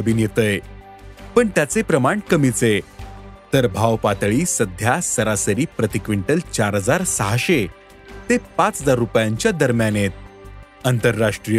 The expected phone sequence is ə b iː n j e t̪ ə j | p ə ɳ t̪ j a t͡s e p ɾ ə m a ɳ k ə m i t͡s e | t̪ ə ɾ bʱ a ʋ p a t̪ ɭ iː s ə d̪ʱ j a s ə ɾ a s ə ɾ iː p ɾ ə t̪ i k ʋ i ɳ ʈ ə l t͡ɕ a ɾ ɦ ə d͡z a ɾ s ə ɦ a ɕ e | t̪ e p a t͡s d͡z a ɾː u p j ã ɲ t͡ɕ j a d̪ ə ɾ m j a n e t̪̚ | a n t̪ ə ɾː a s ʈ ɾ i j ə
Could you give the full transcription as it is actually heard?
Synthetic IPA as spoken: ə b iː n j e t̪ ə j | p ə ɳ t̪ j a t͡s e p ɾ ə m a ɳ k ə m i t͡s e | t̪ ə ɾ bʱ a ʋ p a t̪ ɭ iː s ə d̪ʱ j a s ə ɾ a s ə ɾ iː p ɾ ə t̪ i k ʋ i ɳ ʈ ə l t͡ɕ a ɾ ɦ ə d͡z a ɾ s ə ɦ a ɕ e | t̪ e p a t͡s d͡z a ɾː u p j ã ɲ t͡ɕ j a d̪ ə ɾ m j a n e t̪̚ | ə n t̪ ə ɾː a ʂ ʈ ɾ i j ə